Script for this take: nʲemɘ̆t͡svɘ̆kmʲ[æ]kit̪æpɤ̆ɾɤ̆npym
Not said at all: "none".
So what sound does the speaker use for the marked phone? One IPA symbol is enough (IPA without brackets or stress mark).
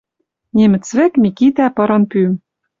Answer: i